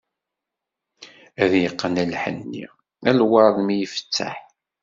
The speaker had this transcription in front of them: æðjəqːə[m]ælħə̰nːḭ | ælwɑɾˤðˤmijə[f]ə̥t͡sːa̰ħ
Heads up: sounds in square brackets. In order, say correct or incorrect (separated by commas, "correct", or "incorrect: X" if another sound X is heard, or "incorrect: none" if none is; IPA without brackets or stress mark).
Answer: incorrect: n, correct